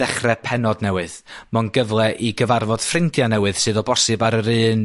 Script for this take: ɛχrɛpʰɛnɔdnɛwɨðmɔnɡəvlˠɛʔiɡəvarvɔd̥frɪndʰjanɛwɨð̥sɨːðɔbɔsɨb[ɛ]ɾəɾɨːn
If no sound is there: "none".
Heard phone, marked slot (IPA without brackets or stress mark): a